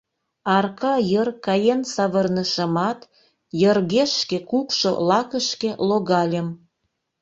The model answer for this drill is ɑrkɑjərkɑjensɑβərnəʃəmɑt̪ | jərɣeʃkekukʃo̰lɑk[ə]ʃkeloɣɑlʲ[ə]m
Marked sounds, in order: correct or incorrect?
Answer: correct, correct

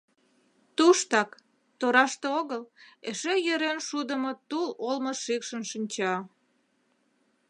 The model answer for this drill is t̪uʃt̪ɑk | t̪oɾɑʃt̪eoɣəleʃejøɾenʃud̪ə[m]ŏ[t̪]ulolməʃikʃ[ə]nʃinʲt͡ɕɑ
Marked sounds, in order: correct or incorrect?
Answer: correct, correct, correct

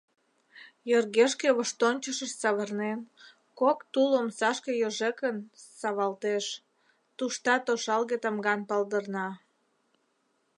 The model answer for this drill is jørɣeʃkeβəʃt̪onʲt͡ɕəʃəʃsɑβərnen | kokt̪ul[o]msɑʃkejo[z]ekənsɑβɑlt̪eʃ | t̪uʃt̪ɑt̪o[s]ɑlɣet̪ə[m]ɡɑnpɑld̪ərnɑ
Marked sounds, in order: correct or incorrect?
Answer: correct, incorrect: ʒ, incorrect: ʃ, correct

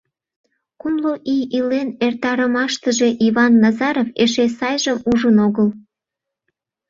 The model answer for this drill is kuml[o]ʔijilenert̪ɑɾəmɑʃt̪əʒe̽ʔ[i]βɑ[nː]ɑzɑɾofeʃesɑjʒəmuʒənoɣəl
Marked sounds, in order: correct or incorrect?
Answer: correct, correct, correct

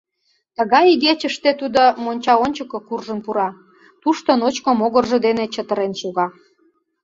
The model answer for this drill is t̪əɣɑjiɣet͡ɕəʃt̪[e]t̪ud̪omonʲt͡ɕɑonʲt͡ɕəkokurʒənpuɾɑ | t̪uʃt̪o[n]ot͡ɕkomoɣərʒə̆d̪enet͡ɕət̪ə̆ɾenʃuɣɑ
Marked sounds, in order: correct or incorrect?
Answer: correct, correct

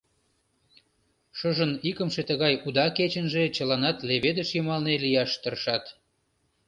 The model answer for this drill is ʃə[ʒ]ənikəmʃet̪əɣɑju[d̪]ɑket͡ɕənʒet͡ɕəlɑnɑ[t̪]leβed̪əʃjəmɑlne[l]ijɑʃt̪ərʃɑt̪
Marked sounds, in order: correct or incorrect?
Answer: correct, correct, correct, correct

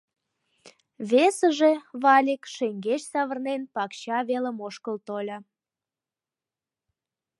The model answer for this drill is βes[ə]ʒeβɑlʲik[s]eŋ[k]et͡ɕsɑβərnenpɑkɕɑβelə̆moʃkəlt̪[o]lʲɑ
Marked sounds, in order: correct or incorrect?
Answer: correct, incorrect: ʃ, incorrect: ɡ, correct

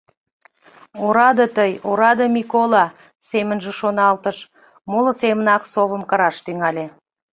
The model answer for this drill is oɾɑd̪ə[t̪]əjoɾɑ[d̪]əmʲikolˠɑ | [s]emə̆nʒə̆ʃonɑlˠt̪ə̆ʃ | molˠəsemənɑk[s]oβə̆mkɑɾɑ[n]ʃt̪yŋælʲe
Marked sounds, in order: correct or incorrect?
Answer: correct, correct, correct, correct, incorrect: none

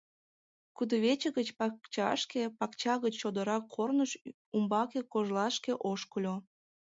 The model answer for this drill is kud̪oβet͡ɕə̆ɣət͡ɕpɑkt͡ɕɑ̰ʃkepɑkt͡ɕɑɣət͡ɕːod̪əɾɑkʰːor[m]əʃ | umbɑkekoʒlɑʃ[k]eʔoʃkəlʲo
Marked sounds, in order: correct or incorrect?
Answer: incorrect: n, correct

